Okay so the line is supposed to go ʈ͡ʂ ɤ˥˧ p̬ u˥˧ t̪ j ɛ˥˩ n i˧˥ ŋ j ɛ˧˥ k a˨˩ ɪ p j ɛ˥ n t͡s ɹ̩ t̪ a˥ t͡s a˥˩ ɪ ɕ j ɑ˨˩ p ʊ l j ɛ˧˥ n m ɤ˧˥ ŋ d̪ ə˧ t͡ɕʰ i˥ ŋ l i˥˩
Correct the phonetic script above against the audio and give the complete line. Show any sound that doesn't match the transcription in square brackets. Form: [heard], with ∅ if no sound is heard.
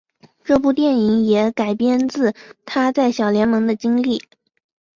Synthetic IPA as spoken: ʈ͡ʂ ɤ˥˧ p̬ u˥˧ t̪ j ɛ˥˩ n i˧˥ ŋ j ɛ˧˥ k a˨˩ ɪ p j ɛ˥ n t͡s ɹ̩ [t̪ʰ] a˥ t͡s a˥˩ ɪ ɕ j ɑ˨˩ [∅] ʊ l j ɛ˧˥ n m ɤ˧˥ ŋ d̪ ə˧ [t͡ɕ] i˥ ŋ l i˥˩